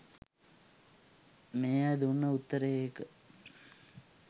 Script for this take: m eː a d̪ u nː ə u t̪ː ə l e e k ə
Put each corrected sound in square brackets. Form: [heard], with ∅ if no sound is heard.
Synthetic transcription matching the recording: m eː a d̪ u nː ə u t̪ː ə [ɾ] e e k ə